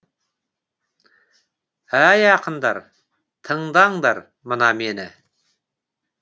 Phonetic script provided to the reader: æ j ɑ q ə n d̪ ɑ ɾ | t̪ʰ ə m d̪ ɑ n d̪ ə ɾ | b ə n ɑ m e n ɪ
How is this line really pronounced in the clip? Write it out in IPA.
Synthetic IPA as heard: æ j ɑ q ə n d̪ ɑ ɾ | t̪ʰ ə ɴ d̪ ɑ ɴ d̪ ɑ ɾ | m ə n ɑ m e n ɪ